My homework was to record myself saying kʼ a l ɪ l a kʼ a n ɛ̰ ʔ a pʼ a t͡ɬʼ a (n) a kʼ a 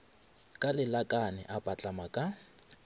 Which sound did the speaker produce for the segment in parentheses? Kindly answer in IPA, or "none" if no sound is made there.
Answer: m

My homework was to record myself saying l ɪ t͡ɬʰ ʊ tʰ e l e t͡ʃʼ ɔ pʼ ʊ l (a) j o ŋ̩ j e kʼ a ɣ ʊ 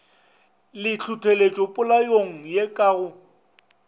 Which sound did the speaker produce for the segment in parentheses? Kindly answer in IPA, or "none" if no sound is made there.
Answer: a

